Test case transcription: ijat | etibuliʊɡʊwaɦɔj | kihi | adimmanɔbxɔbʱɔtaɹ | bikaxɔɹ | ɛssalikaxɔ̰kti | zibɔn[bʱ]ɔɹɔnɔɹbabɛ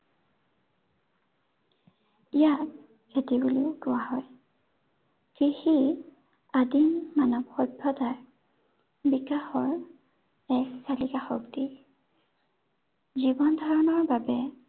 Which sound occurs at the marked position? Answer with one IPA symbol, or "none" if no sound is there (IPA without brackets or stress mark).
dʱ